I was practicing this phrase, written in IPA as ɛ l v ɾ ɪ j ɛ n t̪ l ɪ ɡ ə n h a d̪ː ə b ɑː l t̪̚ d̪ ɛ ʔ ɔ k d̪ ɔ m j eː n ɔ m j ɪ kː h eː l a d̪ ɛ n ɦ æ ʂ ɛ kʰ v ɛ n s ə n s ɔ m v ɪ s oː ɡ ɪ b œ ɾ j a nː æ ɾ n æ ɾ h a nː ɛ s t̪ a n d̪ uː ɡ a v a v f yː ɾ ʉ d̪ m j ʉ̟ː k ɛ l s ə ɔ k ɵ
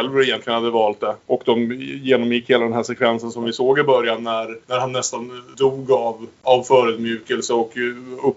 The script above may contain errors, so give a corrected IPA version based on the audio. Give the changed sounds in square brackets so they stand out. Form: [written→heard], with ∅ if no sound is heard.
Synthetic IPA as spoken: ɛ l v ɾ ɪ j ɛ n t̪ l ɪ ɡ ə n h a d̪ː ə [b→v] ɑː l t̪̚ d̪ ɛ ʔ ɔ k d̪ ɔ m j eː n ɔ m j ɪ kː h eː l a d̪ ɛ n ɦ æ ʂ ɛ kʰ v ɛ n s ə n s ɔ m v ɪ s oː ɡ ɪ b œ ɾ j a nː æ ɾ n æ ɾ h a nː ɛ s t̪ a n d̪ uː ɡ a v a v f [yː→œː] ɾ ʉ d̪ m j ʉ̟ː k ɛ l s ə ɔ k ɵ